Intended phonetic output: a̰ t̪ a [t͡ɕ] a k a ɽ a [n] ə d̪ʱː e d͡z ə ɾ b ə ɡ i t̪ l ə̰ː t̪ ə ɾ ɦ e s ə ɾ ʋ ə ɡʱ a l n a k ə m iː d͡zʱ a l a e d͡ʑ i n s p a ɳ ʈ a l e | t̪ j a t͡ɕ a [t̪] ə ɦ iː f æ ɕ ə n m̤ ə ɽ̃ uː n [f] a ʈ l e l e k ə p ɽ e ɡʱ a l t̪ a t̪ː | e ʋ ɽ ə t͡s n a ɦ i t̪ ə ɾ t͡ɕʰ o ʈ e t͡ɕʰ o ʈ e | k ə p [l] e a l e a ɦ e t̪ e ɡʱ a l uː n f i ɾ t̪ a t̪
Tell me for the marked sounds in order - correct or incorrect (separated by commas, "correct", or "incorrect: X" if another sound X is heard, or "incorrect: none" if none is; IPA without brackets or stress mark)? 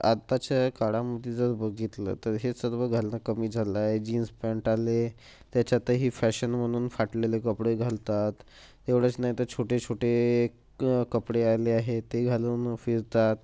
correct, incorrect: m, correct, correct, incorrect: ɽ